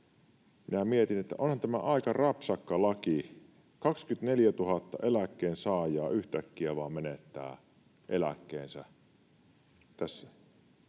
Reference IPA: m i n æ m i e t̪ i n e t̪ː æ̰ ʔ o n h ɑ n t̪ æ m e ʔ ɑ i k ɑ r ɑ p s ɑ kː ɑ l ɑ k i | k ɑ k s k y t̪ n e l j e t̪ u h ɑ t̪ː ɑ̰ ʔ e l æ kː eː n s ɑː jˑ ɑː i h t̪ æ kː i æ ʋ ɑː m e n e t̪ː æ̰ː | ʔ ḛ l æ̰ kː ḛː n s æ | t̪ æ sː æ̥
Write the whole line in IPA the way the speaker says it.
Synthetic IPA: m i n æ m i e t̪ i n e t̪ː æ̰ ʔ o n h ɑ n t̪ æ m æ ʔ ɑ i k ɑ r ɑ p s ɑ kː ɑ l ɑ k i | k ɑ k s k y t̪ n e l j æ t̪ u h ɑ t̪ː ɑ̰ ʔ e l æ kː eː n s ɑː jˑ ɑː y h t̪ æ kː i æ ʋ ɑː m e n e t̪ː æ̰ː | ʔ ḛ l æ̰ kː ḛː n s æ | t̪ æ sː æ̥

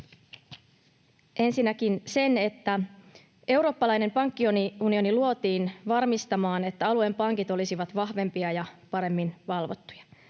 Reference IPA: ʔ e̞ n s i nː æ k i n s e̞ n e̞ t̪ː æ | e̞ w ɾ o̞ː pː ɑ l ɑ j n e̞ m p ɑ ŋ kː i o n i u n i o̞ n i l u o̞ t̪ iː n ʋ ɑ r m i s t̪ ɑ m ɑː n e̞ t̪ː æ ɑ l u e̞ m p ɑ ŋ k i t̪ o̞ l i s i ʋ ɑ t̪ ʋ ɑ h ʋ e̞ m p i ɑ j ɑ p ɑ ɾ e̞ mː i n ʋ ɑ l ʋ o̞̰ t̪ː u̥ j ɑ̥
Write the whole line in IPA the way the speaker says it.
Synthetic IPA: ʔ e̞ n s i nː æ k i n s e̞ n e̞ t̪ː æ | e̞ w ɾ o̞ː pː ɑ l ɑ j n e̞ m p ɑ ŋ kː i o n i u n i o̞ n i l u o̞ t̪ iː n ʋ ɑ r m i s t̪ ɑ m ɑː n e̞ t̪ː æ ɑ l u e̞ m p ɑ ŋ k i t̪ o̞ l i s i ʋ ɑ t̪ ʋ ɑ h ʋ e̞ m p i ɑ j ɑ p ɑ ɾ e̞ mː i n ʋ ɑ l ʋ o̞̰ t̪ː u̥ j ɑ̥

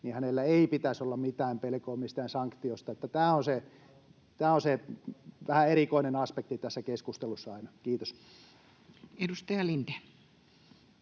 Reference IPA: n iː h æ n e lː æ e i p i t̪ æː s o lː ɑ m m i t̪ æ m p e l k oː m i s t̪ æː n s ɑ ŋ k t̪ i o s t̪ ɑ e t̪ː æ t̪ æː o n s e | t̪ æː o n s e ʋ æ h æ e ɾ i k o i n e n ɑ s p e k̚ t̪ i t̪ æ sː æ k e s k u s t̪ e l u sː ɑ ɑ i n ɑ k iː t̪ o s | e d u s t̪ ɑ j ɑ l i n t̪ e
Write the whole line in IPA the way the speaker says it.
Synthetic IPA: n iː h æ n e lː æ e i p i t̪ æ s o lː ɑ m m i t̪ æː m p e l k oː m i s t̪ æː n s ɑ ŋ k t̪ i o s t̪ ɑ e t̪ː æ t̪ æː o n s e | t̪ æː o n s e ʋ æ h æ e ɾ i k o i n e n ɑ s p e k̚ t̪ i t̪ æ sː æ k e s k u s t̪ e l u sː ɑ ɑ i n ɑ k iː t̪ o s | e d u s t̪ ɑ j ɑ l i n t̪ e

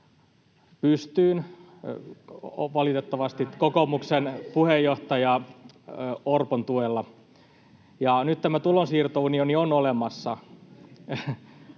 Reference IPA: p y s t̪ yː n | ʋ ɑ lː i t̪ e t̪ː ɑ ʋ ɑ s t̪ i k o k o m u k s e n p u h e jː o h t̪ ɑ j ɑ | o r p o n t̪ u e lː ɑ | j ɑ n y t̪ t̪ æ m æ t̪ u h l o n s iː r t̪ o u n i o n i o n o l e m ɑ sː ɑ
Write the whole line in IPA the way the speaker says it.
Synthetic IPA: p y s t̪ yː n | ʋ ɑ l i t̪ e t̪ː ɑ ʋ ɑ s t̪ i k o k o m u k s e n p u h e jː o h t̪ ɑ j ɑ | o r p o n t̪ u e lː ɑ | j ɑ n y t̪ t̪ æ m æ t̪ u l o n s iː r t̪ o u n i o n i o n o l e m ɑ sː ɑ

